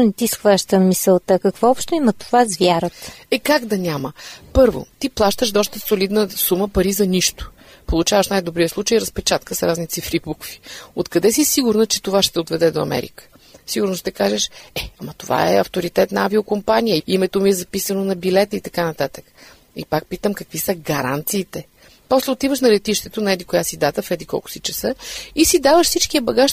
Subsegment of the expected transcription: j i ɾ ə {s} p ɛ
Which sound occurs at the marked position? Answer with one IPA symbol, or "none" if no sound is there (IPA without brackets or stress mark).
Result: s